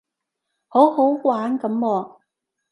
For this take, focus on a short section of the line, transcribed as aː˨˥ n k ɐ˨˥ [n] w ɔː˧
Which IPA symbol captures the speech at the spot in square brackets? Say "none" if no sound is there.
m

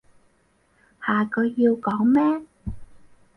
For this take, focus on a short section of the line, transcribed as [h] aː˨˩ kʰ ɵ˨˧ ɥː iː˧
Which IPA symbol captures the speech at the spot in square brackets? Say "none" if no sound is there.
h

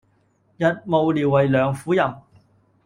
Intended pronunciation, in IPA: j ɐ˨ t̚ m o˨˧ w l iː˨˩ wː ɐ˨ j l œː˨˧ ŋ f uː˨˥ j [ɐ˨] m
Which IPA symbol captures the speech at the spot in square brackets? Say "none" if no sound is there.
ɐ˨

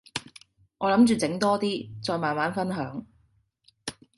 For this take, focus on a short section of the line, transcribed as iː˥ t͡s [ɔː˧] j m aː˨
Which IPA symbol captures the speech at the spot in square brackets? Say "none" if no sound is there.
ɔː˧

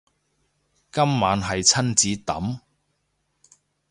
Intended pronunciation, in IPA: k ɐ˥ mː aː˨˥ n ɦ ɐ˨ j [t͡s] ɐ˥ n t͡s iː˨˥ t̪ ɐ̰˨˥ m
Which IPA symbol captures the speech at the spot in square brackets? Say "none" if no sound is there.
t͡sʰ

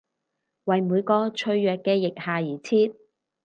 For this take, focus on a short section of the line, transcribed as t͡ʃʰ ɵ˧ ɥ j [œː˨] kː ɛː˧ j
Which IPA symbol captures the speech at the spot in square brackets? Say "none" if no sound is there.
œː˨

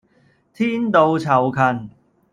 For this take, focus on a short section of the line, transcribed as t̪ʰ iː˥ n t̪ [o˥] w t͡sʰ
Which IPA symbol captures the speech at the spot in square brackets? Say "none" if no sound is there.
o˧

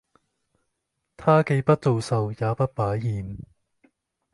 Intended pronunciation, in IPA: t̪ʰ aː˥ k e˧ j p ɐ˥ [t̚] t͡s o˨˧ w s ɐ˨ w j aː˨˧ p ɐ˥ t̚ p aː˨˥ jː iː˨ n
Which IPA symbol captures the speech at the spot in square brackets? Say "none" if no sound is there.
t̚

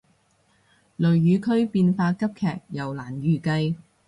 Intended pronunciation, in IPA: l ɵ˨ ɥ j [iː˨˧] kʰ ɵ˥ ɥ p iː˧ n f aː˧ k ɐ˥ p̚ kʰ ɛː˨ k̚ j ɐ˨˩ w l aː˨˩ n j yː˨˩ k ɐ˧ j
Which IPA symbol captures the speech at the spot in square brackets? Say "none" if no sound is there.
yː˨˧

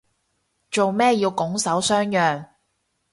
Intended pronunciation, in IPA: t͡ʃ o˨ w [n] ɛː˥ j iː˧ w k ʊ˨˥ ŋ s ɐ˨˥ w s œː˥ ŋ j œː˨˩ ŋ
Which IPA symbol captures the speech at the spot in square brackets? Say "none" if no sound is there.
m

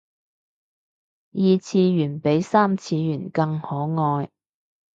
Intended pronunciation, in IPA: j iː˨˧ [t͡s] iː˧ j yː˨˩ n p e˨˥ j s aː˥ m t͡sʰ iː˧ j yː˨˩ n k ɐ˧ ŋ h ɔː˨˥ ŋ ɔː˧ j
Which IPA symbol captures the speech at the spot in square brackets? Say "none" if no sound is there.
t͡sʰ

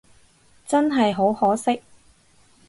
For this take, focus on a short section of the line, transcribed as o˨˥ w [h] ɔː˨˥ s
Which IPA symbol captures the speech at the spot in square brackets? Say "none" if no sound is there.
h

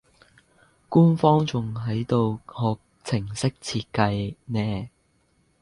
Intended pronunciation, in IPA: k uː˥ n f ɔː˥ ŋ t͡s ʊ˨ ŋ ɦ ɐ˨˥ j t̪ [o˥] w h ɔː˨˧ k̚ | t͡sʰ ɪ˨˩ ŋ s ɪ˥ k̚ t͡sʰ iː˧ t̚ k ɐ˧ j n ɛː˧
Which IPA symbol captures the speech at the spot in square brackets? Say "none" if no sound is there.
o˨˧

